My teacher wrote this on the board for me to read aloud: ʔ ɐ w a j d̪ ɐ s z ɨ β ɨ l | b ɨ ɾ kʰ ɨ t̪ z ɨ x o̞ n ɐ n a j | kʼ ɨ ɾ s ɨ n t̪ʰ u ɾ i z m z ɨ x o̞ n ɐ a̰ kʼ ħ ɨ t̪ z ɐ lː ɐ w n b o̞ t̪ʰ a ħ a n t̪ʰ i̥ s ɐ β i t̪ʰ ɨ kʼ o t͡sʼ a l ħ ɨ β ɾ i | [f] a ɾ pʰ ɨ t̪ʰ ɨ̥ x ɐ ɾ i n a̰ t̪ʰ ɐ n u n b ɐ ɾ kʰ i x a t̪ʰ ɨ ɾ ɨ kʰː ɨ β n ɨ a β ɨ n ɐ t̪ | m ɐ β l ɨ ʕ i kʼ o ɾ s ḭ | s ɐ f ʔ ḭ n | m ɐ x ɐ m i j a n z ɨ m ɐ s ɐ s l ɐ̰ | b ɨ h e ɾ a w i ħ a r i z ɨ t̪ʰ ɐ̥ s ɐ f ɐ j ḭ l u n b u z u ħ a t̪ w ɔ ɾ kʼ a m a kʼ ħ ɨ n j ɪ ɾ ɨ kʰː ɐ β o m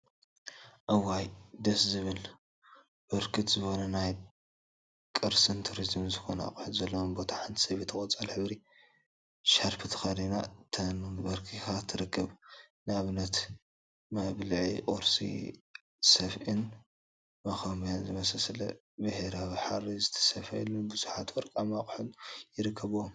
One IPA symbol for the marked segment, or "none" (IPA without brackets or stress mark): ʃ